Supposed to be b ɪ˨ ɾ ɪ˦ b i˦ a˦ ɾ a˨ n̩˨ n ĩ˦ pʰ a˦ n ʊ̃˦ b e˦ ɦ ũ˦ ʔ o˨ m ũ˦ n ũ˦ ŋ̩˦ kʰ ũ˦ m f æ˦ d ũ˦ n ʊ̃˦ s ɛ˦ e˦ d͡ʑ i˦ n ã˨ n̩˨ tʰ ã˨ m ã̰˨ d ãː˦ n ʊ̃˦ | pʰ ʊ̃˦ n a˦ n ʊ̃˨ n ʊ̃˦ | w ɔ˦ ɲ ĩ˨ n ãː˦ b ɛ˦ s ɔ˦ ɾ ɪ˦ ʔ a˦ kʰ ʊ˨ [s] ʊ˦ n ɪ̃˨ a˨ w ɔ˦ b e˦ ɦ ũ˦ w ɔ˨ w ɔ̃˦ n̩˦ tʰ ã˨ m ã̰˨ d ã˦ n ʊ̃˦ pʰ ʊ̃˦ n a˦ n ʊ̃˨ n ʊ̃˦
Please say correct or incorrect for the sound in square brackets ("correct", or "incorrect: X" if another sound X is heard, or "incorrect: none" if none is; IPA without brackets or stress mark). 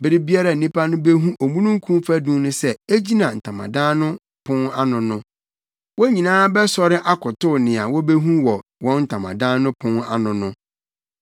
incorrect: t